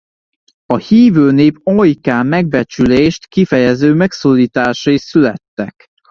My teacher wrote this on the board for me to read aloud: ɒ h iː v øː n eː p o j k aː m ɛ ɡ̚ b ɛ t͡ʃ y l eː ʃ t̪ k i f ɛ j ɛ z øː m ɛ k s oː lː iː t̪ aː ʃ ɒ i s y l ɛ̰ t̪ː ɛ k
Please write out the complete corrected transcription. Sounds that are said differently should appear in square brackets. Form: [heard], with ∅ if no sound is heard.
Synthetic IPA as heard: ɒ h iː v øː n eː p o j k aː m ɛ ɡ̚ b ɛ t͡ʃ y l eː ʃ t̪ k i f ɛ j ɛ z øː m ɛ k s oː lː iː t̪ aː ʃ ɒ i s y l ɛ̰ t̪ː ɛ k